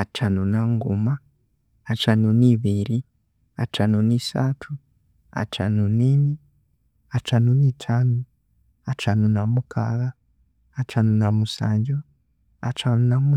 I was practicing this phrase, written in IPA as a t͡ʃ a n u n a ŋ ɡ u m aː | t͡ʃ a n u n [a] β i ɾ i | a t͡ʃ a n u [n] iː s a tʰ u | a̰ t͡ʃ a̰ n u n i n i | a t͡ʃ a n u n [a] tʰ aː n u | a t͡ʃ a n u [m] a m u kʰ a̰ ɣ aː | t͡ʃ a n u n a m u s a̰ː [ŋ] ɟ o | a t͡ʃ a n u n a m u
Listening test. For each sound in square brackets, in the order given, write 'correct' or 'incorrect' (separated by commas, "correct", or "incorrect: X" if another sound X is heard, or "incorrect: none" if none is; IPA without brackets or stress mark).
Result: incorrect: i, correct, incorrect: i, incorrect: n, incorrect: ɲ